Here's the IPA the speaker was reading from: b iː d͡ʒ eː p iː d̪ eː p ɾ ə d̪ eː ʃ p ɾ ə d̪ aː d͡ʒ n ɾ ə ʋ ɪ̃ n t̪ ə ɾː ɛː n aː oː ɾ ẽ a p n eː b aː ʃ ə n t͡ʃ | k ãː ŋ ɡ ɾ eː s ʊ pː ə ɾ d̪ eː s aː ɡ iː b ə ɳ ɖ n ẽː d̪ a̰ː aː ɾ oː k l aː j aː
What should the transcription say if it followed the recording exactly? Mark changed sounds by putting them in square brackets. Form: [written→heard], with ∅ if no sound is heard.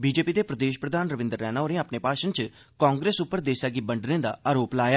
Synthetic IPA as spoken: b iː d͡ʒ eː p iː d̪ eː p ɾ ə d̪ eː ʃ p ɾ ə d̪ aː [d͡ʒ→∅] n ɾ ə ʋ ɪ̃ n [t̪→d̪] ə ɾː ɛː n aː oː ɾ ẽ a p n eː [b→p] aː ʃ ə n t͡ʃ | k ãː ŋ ɡ ɾ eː s ʊ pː ə ɾ d̪ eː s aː ɡ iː b ə ɳ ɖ n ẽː d̪ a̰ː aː ɾ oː [k→p] l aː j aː